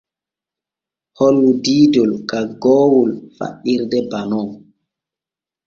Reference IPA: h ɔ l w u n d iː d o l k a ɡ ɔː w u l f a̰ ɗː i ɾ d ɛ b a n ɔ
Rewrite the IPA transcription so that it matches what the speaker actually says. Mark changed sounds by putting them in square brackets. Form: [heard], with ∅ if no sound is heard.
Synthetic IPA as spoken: h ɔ l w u [∅] d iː d [ɔ] l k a ɡ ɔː w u l f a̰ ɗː i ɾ d ɛ b a n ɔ

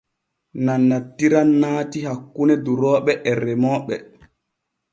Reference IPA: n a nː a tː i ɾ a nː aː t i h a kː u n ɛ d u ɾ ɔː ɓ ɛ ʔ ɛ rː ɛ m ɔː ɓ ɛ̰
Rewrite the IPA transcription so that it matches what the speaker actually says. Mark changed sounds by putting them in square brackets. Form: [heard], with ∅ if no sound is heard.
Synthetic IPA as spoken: n a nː a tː i ɾ a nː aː t i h a kː u n ɛ d u ɾ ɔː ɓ ɛ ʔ ɛ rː ɛ m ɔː ɓ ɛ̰

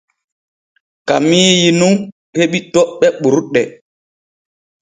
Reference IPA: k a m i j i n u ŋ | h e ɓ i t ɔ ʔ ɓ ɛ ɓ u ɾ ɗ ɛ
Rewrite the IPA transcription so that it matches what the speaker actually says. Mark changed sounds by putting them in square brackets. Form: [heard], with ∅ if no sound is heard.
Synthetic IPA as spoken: k a m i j i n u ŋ | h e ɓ i t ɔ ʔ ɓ ɛ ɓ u ɾ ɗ ɛ

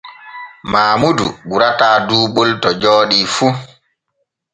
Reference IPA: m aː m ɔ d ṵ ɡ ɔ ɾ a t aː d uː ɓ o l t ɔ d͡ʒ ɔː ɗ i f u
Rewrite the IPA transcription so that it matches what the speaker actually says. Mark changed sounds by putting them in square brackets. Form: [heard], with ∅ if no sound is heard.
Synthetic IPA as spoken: m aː m [u] d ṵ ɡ [u] ɾ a t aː d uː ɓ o l t ɔ d͡ʒ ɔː ɗ i f u

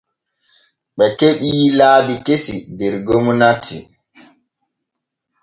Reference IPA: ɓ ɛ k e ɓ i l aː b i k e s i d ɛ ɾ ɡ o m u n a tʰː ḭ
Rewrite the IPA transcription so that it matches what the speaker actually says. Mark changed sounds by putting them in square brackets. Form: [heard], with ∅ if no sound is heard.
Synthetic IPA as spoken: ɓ ɛ k e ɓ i l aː b i k e s i d ɛ ɾ ɡ o m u n a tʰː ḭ

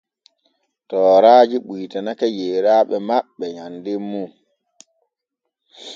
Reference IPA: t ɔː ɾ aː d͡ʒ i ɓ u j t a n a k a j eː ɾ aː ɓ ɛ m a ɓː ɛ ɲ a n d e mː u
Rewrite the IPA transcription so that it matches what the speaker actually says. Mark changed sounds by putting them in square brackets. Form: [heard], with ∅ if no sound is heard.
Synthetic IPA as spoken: t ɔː ɾ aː d͡ʒ i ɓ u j t a n a k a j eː ɾ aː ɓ ɛ m a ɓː ɛ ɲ a n d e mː u

